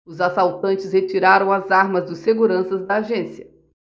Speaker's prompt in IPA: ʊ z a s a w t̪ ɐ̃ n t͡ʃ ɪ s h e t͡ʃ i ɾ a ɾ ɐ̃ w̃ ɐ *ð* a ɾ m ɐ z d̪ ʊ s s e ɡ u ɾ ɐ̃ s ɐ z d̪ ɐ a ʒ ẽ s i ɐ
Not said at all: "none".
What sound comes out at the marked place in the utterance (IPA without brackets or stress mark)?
z